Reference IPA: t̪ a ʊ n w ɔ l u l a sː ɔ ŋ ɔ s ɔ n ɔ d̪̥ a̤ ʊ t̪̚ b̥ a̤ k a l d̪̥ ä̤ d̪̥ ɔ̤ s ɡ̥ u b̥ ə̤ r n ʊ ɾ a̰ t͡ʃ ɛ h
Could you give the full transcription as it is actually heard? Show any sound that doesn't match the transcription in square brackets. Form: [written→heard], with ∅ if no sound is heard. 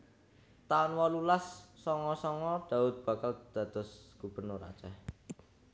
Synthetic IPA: t̪ a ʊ n w ɔ l u l a sː ɔ ŋ ɔ s ɔ [n→ŋ] ɔ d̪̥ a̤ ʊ t̪̚ b̥ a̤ k a l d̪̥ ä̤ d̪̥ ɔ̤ s ɡ̥ u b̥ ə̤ r n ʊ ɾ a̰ t͡ʃ ɛ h